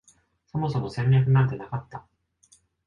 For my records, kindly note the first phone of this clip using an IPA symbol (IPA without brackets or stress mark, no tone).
s